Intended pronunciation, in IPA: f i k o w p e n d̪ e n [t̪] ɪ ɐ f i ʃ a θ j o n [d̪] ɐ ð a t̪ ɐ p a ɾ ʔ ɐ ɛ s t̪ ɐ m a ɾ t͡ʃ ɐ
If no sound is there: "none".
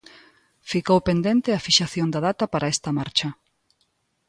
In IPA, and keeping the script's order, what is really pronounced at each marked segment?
t̪, d̪

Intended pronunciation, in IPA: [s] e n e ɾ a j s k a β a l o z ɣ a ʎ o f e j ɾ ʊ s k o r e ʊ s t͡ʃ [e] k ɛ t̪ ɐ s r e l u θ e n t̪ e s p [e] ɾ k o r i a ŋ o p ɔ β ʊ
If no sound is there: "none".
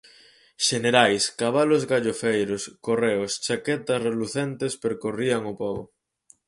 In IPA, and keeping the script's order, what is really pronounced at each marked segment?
ʃ, a, e

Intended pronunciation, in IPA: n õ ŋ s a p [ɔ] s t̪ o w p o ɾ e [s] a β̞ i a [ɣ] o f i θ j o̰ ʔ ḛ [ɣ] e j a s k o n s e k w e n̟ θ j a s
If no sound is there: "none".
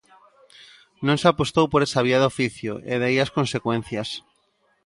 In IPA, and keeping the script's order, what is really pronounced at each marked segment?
o, s, ð, ð

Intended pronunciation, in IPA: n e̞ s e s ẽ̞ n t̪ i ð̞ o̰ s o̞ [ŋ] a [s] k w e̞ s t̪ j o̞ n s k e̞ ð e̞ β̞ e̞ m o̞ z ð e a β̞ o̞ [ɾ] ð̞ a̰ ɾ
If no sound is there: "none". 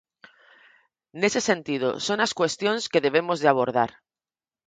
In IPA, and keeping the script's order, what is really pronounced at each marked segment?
n, s, ɾ

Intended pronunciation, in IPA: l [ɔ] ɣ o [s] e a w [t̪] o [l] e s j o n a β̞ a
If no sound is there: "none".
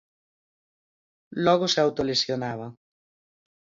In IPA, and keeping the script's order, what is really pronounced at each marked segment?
ɔ, s, t̪, l

